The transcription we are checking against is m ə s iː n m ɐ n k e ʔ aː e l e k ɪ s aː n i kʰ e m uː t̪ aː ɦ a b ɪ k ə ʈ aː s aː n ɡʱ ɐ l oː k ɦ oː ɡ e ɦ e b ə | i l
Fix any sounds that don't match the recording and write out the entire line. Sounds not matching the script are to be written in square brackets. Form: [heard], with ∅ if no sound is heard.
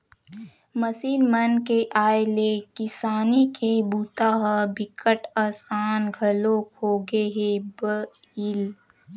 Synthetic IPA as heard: m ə s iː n m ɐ n k e ʔ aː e l e k ɪ s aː n i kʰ e [b] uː t̪ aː ɦ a b ɪ k ə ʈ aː s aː n ɡʱ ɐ l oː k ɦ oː ɡ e ɦ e b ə | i l